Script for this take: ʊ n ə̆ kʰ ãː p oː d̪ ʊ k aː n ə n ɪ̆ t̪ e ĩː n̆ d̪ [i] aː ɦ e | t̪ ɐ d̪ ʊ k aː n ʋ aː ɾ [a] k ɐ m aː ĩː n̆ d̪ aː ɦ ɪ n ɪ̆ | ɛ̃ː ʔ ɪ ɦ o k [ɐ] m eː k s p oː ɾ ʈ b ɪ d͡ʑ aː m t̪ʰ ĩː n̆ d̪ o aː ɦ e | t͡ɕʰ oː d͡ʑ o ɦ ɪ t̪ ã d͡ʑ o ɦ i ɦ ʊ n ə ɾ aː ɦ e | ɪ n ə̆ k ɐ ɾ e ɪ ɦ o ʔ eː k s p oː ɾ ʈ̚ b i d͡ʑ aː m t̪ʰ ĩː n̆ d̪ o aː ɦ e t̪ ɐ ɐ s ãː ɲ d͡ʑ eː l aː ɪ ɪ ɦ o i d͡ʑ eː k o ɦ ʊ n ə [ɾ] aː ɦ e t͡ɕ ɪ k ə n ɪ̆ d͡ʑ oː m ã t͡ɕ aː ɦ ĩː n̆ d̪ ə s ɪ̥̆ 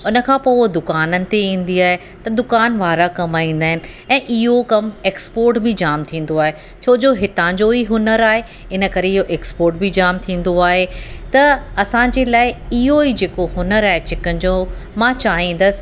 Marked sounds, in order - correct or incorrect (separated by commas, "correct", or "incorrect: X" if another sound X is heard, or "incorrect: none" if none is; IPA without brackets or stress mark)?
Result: correct, correct, correct, correct